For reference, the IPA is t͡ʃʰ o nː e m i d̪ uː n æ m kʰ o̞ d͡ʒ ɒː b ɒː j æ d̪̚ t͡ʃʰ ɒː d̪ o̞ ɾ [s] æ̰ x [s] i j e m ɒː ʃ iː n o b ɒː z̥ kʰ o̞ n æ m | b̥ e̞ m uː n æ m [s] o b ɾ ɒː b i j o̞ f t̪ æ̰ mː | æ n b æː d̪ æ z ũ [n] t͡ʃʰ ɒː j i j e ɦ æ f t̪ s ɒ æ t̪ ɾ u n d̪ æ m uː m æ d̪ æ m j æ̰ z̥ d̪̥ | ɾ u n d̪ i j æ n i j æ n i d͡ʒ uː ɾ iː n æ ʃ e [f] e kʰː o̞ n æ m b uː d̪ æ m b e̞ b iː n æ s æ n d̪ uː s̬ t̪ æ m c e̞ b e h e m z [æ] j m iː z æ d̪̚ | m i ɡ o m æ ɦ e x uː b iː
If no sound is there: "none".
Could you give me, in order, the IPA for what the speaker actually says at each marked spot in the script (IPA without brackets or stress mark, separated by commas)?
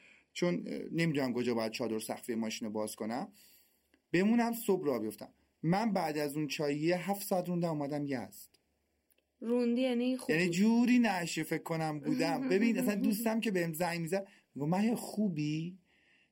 s, f, s, n, f, æ